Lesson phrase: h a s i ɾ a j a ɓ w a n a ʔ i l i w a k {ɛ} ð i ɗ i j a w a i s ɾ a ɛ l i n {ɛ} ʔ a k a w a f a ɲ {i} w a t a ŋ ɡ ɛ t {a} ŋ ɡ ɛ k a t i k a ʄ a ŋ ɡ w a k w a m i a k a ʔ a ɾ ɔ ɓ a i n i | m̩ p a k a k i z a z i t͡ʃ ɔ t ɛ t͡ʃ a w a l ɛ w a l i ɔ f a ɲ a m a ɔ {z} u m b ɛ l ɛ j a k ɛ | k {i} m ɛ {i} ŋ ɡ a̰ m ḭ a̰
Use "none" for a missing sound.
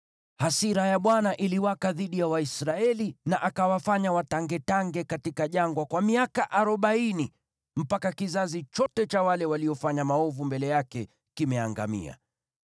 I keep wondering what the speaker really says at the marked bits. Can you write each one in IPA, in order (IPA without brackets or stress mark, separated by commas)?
a, a, a, a, v, i, a